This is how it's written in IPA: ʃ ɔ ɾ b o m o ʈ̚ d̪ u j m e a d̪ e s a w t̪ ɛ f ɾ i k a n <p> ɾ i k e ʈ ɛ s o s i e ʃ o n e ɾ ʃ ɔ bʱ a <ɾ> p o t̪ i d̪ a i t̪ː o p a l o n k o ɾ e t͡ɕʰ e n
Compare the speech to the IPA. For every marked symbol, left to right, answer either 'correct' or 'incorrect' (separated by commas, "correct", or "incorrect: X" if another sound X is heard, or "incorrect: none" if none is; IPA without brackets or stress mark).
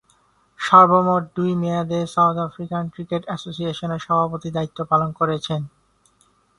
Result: incorrect: k, incorrect: none